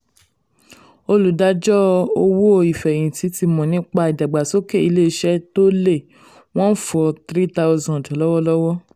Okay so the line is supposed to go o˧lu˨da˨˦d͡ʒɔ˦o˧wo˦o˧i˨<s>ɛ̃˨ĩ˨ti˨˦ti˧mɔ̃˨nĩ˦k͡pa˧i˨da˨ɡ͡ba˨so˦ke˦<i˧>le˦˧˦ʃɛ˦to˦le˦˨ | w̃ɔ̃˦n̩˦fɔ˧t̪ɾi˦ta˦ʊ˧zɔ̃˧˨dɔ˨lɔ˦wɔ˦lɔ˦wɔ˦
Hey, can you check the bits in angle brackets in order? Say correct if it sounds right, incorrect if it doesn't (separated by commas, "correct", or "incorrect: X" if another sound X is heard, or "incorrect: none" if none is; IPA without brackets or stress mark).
incorrect: f, correct